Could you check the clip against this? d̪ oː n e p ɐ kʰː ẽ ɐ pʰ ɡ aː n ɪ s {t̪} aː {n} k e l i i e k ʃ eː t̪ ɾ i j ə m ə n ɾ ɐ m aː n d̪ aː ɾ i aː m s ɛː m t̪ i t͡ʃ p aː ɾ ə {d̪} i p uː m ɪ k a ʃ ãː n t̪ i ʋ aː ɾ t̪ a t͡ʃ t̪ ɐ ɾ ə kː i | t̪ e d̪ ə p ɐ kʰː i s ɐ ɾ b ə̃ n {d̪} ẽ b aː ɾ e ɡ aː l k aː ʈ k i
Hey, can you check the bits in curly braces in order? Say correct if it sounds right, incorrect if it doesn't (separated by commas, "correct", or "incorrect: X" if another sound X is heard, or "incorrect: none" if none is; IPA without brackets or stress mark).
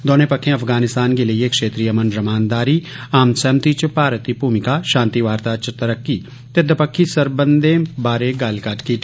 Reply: correct, correct, incorrect: t̪, correct